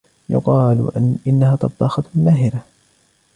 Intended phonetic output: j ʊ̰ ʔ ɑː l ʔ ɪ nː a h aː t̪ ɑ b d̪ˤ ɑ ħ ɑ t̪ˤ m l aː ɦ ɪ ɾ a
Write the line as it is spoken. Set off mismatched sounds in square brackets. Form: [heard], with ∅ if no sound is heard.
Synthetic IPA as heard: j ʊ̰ [q] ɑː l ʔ ɪ nː a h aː t̪ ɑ b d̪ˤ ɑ [x] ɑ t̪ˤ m l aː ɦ ɪ ɾ a